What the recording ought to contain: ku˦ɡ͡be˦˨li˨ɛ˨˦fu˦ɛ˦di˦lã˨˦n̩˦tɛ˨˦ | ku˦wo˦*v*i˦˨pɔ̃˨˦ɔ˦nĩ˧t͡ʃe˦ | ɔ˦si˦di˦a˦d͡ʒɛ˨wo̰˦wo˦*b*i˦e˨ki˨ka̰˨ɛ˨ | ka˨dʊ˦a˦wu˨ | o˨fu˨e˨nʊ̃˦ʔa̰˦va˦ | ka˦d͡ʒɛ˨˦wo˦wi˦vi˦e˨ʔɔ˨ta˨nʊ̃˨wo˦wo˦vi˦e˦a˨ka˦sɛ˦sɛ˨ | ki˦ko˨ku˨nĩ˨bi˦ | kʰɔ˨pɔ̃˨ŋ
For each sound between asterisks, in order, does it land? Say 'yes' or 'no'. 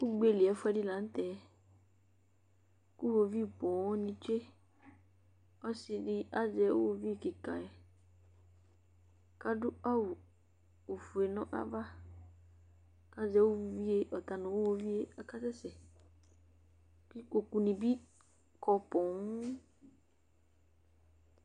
yes, no

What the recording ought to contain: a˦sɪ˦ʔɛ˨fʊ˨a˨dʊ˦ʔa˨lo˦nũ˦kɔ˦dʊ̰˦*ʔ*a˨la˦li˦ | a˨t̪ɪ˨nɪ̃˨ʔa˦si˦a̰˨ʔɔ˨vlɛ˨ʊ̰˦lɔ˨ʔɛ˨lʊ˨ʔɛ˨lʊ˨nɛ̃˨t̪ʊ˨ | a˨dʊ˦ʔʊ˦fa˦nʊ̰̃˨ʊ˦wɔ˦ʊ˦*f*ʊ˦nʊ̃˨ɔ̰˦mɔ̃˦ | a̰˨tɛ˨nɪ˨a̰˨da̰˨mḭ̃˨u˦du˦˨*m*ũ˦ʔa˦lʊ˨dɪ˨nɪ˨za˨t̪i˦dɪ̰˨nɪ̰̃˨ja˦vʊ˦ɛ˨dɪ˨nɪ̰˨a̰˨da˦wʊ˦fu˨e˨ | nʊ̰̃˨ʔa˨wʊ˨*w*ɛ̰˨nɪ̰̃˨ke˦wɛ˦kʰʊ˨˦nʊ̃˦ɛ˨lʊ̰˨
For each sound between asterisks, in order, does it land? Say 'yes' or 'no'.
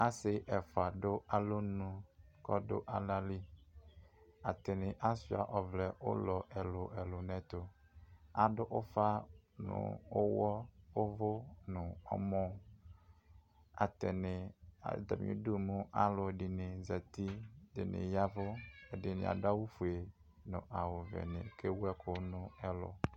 yes, no, yes, no

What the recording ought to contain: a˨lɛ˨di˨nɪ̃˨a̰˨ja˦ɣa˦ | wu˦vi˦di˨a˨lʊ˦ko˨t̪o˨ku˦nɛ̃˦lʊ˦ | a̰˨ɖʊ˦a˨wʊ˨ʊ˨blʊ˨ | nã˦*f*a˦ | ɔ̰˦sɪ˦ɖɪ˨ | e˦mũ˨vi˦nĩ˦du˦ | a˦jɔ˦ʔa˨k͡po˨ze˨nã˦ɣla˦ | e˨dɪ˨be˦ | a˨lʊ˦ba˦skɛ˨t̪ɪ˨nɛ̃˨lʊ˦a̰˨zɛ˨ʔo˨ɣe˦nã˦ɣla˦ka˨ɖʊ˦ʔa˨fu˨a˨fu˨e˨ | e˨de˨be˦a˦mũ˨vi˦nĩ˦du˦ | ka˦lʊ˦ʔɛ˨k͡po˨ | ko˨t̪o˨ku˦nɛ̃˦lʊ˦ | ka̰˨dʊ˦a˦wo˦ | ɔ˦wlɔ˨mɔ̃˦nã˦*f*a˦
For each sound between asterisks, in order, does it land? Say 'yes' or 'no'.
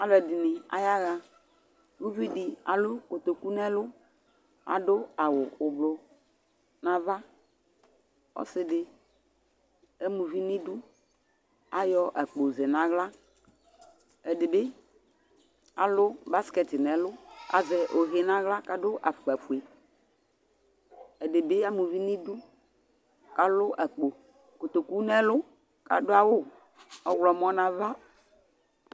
no, no

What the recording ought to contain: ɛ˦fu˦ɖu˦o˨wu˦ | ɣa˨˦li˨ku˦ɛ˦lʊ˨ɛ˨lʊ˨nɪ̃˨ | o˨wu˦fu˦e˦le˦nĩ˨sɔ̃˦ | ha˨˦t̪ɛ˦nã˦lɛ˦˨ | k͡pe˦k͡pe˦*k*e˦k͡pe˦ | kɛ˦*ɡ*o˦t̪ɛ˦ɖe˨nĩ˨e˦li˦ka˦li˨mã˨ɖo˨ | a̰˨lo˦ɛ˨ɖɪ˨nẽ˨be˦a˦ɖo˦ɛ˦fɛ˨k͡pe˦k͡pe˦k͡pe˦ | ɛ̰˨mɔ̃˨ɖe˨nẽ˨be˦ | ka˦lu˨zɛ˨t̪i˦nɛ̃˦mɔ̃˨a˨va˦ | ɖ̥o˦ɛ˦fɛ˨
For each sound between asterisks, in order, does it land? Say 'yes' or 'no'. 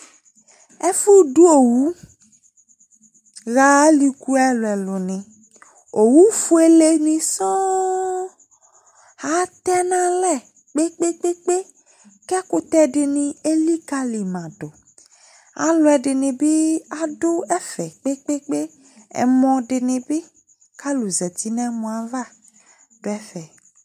no, no

